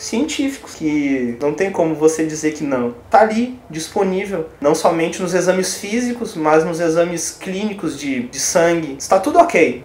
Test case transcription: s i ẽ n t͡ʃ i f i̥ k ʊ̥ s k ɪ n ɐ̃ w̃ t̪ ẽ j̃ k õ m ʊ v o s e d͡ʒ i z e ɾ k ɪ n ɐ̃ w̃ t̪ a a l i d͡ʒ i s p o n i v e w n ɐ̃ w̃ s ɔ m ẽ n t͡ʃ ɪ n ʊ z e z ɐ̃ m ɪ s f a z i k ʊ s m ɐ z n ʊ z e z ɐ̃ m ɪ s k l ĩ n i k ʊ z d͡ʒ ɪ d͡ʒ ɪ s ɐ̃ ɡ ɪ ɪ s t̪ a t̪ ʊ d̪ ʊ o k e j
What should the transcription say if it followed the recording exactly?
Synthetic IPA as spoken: s i ẽ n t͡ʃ i f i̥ k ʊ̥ s k ɪ n ɐ̃ w̃ t̪ ẽ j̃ k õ m ʊ v o s e d͡ʒ i z e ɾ k ɪ n ɐ̃ w̃ t̪ a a l i d͡ʒ i s p o n i v e w n ɐ̃ w̃ s ɔ m ẽ n t͡ʃ ɪ n ʊ z e z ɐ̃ m ɪ s f i z i k ʊ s m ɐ z n ʊ z e z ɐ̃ m ɪ s k l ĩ n i k ʊ z d͡ʒ ɪ d͡ʒ ɪ s ɐ̃ ɡ ɪ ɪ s t̪ a t̪ u d̪ ʊ o k e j